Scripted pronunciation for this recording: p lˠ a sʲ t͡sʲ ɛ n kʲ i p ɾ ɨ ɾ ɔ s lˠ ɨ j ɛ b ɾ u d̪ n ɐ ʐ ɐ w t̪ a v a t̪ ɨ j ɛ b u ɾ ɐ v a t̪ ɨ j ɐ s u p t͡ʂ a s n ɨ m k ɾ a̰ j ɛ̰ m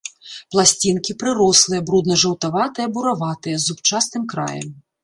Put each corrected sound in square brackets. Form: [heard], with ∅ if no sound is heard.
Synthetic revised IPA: p lˠ a sʲ t͡sʲ [i] n kʲ i p ɾ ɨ ɾ ɔ s lˠ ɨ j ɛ b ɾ u d̪ n ɐ ʐ ɐ w t̪ a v a t̪ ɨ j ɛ b u ɾ [a] v a t̪ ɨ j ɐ [z] u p t͡ʂ a s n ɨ m k ɾ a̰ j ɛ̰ m